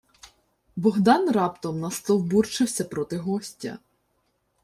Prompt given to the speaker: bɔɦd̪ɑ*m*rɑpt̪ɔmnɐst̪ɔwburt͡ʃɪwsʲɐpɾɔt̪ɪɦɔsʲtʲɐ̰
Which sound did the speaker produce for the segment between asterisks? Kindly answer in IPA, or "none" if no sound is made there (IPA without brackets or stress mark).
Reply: n